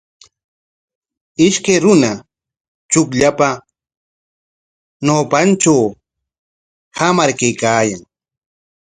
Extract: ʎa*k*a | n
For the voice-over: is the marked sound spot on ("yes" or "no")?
no